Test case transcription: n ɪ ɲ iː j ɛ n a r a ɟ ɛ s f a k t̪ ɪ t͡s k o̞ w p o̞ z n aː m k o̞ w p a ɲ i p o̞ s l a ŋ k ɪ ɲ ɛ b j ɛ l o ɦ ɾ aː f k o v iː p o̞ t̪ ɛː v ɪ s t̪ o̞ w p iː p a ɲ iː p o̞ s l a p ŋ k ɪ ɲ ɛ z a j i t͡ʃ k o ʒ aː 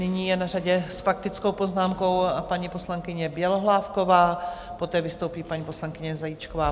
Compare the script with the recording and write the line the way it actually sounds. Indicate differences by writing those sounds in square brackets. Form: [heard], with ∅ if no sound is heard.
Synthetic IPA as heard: n ɪ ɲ iː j ɛ n a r a ɟ ɛ s f a k t̪ ɪ t͡s k o̞ w p o̞ z n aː m k o̞ w p a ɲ i p o̞ s l a ŋ k ɪ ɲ ɛ b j ɛ l o ɦ [l] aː f k o v [aː] p o̞ t̪ ɛː v ɪ s t̪ o̞ w p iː p a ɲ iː p o̞ s l a [∅] ŋ k ɪ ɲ ɛ z a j i t͡ʃ k o [v] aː

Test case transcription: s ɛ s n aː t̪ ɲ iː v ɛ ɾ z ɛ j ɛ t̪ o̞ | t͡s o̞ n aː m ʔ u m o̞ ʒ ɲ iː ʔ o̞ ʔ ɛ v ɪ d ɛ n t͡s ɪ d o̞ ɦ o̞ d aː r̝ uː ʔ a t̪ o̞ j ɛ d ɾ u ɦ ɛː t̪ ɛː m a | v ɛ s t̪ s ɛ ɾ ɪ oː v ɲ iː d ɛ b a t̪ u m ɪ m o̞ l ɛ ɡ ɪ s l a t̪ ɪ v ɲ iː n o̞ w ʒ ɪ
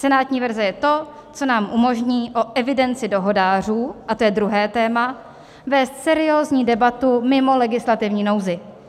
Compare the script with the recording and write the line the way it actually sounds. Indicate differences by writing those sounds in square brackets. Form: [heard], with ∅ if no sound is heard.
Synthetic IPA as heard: s ɛ [∅] n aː t̪ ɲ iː v ɛ ɾ z ɛ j ɛ t̪ o̞ | t͡s o̞ n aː m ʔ u m o̞ ʒ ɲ iː ʔ o̞ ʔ ɛ v ɪ d ɛ n t͡s ɪ d o̞ ɦ o̞ d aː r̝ uː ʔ a t̪ o̞ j ɛ d ɾ u ɦ ɛː t̪ ɛː m a | v [ɛː] s t̪ s ɛ ɾ ɪ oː [z] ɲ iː d ɛ b a t̪ u m ɪ m o̞ l ɛ ɡ ɪ s l a t̪ ɪ v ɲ iː n o̞ w [z] ɪ

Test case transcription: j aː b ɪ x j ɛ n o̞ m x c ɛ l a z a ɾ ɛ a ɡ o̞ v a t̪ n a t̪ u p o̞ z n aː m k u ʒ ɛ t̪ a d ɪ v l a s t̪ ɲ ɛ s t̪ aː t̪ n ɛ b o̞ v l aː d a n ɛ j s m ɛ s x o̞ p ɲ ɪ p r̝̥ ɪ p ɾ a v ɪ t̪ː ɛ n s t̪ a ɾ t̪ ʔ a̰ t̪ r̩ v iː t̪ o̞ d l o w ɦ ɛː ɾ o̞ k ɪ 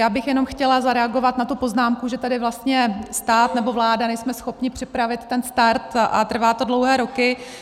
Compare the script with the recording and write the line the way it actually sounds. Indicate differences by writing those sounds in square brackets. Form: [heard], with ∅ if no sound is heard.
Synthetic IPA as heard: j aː b ɪ x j ɛ n o̞ m x c ɛ l a z a ɾ ɛ a ɡ o̞ v a t̪ n a t̪ u p o̞ z n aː m k u ʒ ɛ t̪ a d ɪ v l a s t̪ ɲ ɛ s t̪ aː t̪ n ɛ b o̞ v l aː d a n ɛ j s m ɛ s x o̞ p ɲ ɪ p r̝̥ ɪ p ɾ a v ɪ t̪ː ɛ n s t̪ a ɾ t̪ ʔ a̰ t̪ r̩ v [aː] t̪ o̞ d l o w ɦ ɛː ɾ o̞ k ɪ

